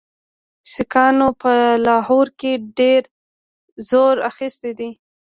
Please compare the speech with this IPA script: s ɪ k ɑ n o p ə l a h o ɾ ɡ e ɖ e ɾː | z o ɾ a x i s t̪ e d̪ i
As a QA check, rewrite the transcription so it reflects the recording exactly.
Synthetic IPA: s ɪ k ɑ n o p ə l ɑ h o ɾ k e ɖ e ɾ | z o ɾ a x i s t̪ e d̪ i